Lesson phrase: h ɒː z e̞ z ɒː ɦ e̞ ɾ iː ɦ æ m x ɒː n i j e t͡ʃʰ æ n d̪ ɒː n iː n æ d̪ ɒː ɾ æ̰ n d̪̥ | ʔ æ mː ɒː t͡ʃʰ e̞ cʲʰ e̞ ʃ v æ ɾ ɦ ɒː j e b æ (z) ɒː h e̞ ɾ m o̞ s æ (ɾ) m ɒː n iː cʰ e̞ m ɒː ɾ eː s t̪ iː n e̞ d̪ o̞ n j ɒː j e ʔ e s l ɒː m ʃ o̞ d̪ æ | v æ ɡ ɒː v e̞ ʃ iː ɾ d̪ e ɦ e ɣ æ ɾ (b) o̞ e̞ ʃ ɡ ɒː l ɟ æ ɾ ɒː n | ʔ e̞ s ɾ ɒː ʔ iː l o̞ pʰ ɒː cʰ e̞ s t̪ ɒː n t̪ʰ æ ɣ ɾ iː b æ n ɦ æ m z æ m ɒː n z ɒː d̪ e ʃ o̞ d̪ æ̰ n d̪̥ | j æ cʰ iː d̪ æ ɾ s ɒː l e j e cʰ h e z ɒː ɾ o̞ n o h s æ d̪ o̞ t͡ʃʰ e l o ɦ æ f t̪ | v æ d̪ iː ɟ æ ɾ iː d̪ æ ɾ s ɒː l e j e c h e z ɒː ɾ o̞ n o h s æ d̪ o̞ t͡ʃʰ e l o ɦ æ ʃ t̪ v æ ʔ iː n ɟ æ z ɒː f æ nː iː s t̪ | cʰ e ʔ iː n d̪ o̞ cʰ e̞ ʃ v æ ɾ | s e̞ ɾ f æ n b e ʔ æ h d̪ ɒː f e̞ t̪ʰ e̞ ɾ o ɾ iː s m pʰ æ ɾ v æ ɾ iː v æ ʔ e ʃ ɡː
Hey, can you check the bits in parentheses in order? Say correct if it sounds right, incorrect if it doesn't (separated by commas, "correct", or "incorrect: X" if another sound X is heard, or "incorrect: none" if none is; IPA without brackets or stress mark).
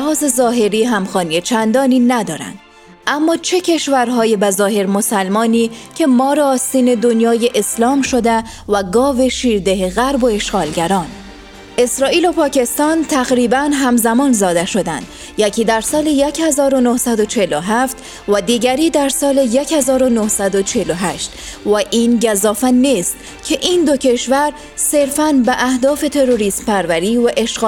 correct, incorrect: l, correct